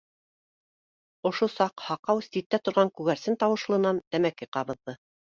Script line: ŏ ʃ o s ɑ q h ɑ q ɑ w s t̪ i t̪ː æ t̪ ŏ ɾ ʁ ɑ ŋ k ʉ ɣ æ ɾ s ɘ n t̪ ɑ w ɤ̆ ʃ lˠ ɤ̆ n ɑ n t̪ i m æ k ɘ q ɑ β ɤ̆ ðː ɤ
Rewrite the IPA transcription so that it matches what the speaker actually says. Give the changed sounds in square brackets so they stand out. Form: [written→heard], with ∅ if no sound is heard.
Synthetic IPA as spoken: ŏ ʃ o s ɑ q h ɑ q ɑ w s t̪ i t̪ː æ t̪ ŏ ɾ ʁ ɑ ŋ k ʉ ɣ æ ɾ s ɘ n t̪ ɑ w ɤ̆ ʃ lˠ ɤ̆ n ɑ n t̪ [i→æ] m æ k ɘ q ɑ β ɤ̆ ðː ɤ